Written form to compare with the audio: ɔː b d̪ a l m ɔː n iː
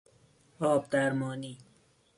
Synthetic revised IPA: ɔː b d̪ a ɾ m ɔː n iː